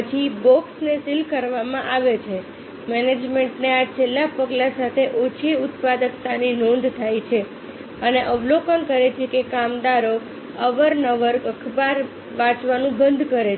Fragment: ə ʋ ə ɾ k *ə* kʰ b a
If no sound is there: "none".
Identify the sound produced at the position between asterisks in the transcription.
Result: ə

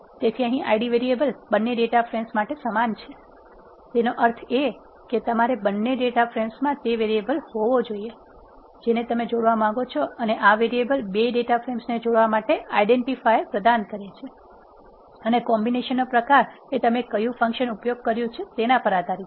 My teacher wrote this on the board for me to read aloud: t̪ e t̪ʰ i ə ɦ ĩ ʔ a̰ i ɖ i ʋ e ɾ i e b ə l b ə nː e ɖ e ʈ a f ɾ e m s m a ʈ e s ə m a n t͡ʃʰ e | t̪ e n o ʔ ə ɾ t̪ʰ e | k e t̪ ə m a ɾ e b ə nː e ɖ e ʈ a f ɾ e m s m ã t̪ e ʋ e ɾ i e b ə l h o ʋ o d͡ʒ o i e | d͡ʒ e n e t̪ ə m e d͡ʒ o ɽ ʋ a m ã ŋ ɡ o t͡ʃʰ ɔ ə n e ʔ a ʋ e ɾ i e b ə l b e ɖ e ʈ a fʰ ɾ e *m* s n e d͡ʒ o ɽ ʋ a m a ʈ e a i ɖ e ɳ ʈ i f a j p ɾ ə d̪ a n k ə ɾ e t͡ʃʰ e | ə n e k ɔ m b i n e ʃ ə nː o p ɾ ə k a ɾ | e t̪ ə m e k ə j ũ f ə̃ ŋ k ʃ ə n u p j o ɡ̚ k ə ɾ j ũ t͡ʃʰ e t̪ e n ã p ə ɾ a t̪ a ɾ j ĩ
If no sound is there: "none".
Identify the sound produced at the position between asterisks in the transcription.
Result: m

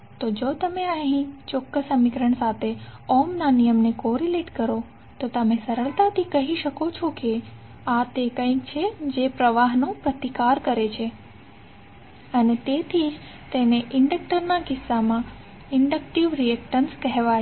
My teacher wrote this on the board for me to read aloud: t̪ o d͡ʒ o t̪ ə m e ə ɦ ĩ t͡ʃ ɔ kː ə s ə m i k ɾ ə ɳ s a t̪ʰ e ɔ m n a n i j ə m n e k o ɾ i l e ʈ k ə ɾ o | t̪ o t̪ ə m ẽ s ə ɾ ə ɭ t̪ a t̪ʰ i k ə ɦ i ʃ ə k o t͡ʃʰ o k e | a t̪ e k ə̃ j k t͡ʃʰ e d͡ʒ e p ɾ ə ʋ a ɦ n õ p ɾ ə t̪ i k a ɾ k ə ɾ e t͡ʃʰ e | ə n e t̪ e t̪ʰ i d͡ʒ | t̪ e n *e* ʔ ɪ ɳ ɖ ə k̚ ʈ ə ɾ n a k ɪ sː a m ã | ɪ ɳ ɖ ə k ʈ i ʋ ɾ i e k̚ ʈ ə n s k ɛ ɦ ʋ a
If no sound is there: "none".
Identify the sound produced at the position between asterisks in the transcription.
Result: e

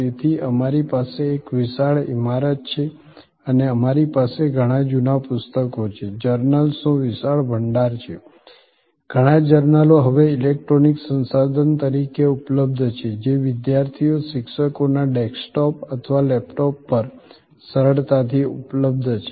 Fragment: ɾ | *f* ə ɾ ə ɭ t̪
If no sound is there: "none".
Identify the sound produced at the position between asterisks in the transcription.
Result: s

